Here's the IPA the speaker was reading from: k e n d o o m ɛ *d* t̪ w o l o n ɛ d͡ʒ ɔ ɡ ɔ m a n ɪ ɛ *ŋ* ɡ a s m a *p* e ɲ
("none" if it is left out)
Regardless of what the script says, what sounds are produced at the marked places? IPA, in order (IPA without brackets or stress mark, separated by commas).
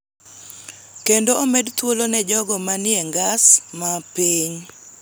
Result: d, ŋ, p